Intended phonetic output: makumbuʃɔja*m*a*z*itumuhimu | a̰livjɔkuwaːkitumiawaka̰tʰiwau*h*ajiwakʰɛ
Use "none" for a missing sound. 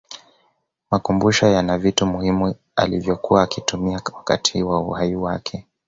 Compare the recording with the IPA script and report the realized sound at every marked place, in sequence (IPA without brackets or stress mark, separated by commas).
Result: n, v, h